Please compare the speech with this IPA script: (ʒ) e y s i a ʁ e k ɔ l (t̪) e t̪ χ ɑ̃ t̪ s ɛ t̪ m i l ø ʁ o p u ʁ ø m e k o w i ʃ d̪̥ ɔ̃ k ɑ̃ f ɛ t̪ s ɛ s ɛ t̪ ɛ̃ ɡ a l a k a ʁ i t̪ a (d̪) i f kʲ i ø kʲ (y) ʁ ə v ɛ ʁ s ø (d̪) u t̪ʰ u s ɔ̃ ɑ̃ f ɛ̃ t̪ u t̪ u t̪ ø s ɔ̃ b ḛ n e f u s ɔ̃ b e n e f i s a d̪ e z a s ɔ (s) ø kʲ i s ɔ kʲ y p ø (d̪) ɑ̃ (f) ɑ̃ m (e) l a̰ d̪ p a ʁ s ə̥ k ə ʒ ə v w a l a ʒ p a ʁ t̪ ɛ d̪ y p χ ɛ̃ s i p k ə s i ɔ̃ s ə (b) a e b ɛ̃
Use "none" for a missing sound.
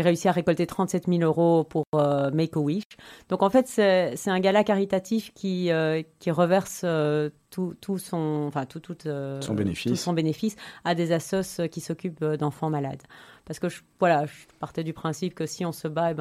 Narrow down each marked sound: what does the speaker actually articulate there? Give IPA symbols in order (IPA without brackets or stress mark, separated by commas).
ʁ, t̪, t̪, i, t̪, s, d̪, f, a, b